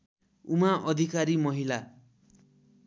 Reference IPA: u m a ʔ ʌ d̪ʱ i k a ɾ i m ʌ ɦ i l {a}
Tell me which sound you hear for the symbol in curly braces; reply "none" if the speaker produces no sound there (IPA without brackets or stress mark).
a